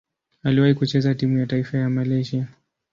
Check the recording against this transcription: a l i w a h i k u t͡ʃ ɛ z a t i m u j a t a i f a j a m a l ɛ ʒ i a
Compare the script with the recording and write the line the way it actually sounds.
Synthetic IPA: a l i w a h i k u t͡ʃ ɛ z a t i m u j a t a i f a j a m a l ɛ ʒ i a